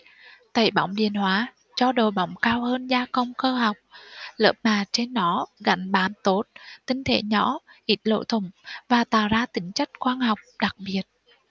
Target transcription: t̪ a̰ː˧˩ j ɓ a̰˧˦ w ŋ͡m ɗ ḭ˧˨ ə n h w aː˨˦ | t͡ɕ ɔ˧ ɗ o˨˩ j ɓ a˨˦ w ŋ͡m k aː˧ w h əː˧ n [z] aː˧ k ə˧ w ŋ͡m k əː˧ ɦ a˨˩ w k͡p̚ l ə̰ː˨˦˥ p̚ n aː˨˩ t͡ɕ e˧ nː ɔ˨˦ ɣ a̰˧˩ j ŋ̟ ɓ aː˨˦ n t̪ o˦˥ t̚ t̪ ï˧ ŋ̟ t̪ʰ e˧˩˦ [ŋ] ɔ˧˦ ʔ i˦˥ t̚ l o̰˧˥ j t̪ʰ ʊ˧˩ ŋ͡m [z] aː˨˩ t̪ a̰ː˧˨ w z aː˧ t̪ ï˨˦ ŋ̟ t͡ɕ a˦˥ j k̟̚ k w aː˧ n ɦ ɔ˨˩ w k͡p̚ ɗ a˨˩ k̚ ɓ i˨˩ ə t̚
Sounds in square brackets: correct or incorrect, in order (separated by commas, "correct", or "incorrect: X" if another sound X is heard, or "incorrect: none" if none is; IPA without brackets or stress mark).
correct, incorrect: ɲ, incorrect: v